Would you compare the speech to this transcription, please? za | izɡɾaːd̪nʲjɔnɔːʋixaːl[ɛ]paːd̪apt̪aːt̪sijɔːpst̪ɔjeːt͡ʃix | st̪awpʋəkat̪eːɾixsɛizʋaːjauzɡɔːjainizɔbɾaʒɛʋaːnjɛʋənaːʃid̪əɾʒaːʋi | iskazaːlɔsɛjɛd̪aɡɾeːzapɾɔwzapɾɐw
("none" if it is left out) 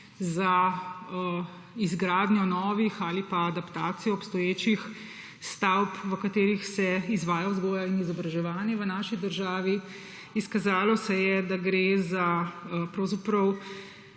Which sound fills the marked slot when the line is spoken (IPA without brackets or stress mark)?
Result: i